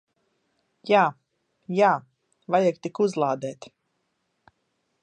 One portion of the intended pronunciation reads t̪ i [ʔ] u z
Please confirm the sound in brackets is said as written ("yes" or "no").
no